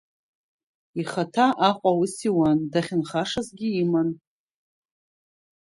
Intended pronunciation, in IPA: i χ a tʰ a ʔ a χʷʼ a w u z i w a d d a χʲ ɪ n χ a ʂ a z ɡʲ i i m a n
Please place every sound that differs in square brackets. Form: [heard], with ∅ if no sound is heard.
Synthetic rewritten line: i χ a tʰ a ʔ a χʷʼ a w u [s] i w a [n] d a χʲ ɪ n χ a ʂ a z ɡʲ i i m a n

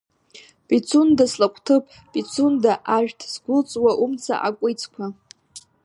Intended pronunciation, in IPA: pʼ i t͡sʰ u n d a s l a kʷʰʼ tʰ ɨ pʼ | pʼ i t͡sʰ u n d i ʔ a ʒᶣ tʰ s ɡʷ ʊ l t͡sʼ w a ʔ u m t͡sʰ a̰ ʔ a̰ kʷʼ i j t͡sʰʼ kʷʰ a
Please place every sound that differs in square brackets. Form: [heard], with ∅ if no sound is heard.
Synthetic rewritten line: pʼ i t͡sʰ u n d a s l a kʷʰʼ tʰ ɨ pʼ | pʼ i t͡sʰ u n d [a] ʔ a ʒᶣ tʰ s ɡʷ ʊ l t͡sʼ w a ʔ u m t͡sʰ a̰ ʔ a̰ kʷʼ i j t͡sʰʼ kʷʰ a

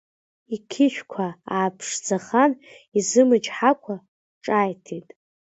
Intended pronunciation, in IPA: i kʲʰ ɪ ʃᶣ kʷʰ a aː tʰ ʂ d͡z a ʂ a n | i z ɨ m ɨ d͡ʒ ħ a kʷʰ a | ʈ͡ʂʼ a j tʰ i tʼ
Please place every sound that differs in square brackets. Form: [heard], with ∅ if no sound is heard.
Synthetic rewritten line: i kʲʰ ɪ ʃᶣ kʷʰ a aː [pʰ] ʂ d͡z a [χ] a n | i z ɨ m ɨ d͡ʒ ħ a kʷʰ a | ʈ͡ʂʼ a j tʰ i tʼ

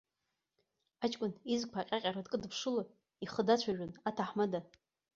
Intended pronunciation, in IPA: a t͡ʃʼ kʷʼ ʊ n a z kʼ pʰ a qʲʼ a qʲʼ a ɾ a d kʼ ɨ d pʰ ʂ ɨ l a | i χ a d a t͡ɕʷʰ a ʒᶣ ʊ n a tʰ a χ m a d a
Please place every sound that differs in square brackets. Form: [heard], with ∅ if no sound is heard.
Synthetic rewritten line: a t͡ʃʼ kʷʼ ʊ n [i] z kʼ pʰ a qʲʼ a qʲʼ a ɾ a d kʼ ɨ d pʰ ʂ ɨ l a | i χ [ə] d a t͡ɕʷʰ a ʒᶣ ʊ n a tʰ a [ħ] m a d a

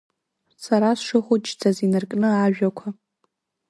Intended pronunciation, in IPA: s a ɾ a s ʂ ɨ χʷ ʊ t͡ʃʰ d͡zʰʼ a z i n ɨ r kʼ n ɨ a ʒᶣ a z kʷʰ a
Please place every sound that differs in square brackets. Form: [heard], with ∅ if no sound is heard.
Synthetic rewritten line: s a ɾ a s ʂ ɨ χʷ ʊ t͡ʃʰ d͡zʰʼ a z i n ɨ r kʼ n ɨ a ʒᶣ a [∅] kʷʰ a

